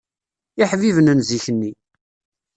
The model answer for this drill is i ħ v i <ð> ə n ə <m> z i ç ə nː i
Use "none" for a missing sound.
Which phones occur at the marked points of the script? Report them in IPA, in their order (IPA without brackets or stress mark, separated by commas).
v, n